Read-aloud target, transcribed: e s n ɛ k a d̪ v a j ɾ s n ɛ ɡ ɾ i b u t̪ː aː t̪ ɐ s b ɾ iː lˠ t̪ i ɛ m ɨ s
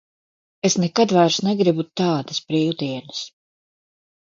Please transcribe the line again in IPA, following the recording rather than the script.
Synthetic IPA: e s n ɛ k a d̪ v a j ɾ s n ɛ ɡ ɾ i b u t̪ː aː d̪ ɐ s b ɾ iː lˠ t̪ i ɛ n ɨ s